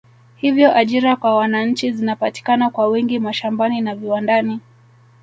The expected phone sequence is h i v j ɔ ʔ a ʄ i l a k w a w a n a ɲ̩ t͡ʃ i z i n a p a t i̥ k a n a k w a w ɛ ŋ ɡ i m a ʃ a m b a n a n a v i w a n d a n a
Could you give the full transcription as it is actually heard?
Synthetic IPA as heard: h i v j ɔ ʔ a ʄ i ɾ a k w a w a n a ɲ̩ t͡ʃ i z i n a p a t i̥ k a n a k w a w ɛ ŋ ɡ i m a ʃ a m b a n i n a v i w a n d a n i